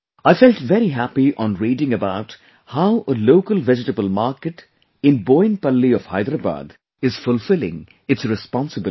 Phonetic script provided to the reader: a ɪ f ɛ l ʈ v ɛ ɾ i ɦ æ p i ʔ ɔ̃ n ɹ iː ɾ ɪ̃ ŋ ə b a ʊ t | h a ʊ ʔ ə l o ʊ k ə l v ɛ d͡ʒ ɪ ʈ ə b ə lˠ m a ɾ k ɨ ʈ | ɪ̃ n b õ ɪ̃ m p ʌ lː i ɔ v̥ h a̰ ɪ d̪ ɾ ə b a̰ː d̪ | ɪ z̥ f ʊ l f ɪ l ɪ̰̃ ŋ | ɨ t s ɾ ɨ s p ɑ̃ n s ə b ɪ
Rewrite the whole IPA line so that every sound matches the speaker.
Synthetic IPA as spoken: a ɪ f ɛ l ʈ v ɛ ɾ i ɦ æ p i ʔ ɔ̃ n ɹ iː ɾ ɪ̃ ŋ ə b a ʊ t | h a ʊ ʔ ə l o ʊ k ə l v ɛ d͡ʒ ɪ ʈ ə b ə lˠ m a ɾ k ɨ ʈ | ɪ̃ n b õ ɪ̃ n p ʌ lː i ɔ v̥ h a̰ ɪ d̪ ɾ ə b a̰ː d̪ | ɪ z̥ f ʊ l f ɪ l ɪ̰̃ ŋ | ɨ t s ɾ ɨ s p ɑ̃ n s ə b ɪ